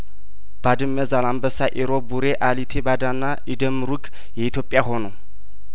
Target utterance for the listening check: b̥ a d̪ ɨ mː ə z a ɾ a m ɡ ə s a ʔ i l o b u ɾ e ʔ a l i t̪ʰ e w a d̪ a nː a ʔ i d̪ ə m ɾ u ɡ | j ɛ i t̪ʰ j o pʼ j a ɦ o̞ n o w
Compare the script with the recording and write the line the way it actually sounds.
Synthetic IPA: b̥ a d̪ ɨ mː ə z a l a m b ə s a ʔ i ɾ o b u ɾ e ʔ a l i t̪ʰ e b a d̪ a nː a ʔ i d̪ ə m ɾ u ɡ | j ɛ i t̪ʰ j o pʼ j a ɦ o̞ n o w